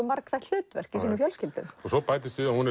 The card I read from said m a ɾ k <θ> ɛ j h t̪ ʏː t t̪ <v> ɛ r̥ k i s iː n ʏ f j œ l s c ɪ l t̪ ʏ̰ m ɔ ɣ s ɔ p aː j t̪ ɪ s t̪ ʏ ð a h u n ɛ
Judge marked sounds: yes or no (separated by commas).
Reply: yes, yes